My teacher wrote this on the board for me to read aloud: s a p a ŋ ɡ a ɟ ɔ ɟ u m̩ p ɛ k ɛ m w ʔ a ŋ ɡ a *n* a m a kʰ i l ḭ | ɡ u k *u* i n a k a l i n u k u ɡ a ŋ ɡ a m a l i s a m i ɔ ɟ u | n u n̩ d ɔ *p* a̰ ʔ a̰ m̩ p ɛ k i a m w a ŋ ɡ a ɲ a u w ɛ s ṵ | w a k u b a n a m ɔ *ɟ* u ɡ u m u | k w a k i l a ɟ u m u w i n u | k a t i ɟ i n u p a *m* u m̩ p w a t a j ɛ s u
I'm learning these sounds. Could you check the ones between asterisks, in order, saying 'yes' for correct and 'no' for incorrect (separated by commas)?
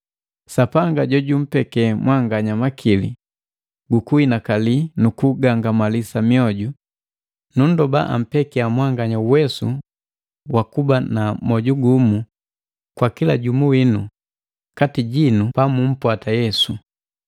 no, yes, no, yes, yes